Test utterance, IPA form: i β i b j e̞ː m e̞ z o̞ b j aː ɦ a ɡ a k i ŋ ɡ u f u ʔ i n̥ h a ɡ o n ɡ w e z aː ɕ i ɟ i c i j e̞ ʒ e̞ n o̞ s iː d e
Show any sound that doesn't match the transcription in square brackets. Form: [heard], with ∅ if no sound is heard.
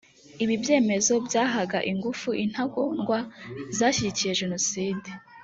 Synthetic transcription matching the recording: i β i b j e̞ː m e̞ z o̞ b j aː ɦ a ɡ a [ʔ] i ŋ ɡ u f u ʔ i n̥ h a ɡ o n ɡ w [a] z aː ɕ i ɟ i c i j e̞ ʒ e̞ n o̞ s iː d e